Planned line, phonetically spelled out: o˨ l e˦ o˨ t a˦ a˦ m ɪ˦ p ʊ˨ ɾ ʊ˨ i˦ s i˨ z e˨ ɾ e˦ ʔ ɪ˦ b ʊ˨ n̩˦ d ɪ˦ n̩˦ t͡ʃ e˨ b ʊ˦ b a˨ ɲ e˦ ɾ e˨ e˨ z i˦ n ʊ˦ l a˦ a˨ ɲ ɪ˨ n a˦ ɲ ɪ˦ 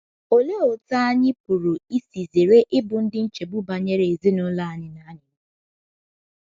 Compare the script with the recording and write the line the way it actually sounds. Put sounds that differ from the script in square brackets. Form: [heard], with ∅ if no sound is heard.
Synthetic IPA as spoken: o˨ l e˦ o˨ t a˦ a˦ [ɲ] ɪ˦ p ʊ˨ ɾ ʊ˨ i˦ s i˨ z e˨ ɾ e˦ ʔ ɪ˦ b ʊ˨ n̩˦ d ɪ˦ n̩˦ t͡ʃ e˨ b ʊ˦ b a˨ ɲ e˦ ɾ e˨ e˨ z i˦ n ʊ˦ l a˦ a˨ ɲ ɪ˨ n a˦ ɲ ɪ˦